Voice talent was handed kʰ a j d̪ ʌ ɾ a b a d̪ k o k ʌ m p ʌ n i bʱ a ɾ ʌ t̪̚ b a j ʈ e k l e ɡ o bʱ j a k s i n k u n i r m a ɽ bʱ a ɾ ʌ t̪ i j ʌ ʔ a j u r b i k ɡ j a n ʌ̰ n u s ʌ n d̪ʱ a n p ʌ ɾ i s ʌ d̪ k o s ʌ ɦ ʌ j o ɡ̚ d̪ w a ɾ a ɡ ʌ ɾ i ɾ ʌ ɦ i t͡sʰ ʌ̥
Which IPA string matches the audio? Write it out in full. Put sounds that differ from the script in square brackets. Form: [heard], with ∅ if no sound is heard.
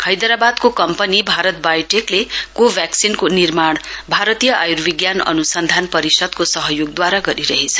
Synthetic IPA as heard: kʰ [ʌ] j d̪ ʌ ɾ a b a d̪ k o k ʌ m p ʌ n i bʱ a ɾ ʌ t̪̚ b a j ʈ e k l e [k] o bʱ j a k s i n k [o] n i r m a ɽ bʱ a ɾ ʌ t̪ i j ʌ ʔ a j u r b i [∅] ɡ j a n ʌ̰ n u s ʌ n d̪ʱ a n p ʌ ɾ i s ʌ d̪ k o s ʌ ɦ ʌ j o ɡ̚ d̪ w a ɾ a ɡ ʌ ɾ i ɾ ʌ ɦ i t͡sʰ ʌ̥